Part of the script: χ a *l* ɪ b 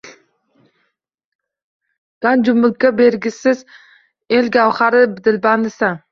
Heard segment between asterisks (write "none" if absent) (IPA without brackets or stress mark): ɾ